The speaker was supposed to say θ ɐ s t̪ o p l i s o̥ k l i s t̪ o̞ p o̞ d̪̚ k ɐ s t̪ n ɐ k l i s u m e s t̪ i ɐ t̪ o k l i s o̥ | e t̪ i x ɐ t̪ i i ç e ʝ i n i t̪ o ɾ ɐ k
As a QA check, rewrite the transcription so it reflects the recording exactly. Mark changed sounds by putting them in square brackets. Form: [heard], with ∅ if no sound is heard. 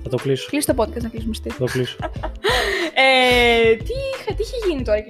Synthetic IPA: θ ɐ [∅] t̪ o [k] l i s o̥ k l i s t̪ o̞ p o̞ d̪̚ k ɐ s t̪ n ɐ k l i s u m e s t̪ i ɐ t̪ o k l i s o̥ | e t̪ i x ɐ t̪ i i ç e ʝ i n i t̪ o ɾ ɐ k